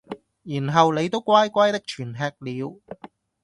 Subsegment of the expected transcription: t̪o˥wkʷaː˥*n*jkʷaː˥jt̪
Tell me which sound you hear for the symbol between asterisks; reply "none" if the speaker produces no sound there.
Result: none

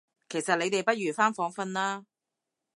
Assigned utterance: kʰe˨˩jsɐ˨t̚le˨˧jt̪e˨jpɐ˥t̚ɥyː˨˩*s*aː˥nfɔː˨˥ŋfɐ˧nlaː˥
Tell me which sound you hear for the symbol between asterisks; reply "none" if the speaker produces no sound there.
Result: f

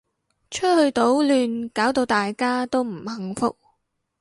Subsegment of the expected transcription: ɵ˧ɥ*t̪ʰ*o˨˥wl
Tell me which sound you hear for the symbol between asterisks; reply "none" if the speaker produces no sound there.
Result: t̪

